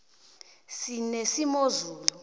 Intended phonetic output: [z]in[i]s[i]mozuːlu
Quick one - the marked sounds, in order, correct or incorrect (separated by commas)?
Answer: incorrect, incorrect, correct